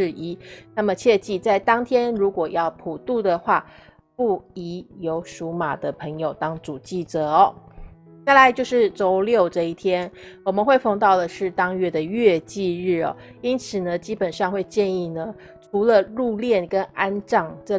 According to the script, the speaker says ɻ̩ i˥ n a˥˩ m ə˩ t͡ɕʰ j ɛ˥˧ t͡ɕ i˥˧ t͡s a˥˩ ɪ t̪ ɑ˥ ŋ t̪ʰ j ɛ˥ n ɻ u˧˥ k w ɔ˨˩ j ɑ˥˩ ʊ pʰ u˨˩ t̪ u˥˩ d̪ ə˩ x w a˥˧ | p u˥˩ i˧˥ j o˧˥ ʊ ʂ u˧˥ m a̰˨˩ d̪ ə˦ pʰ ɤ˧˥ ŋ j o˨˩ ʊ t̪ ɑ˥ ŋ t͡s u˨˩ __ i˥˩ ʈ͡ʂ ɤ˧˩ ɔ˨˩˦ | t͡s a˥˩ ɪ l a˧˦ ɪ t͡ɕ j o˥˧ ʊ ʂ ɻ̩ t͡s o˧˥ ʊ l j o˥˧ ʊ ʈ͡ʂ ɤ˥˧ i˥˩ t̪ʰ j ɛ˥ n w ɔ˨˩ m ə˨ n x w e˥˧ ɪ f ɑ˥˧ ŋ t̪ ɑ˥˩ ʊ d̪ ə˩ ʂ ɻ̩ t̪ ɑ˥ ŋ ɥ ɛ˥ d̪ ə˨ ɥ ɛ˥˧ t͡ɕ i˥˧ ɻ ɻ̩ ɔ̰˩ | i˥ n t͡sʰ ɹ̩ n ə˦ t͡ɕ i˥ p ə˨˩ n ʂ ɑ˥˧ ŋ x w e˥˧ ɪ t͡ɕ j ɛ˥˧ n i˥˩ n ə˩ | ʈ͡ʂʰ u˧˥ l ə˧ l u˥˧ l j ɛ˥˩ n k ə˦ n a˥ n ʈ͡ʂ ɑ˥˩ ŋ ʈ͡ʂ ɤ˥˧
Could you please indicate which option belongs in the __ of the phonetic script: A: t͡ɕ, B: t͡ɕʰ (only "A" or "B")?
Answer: A